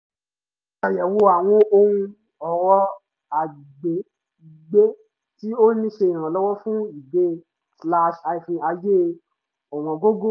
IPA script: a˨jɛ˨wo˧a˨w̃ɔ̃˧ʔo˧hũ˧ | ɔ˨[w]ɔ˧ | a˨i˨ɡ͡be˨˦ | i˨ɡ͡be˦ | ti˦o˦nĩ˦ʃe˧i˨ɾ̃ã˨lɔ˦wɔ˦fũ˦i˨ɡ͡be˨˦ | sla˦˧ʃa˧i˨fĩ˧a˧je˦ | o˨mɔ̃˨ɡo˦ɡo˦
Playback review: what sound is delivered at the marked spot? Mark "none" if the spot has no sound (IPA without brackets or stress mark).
w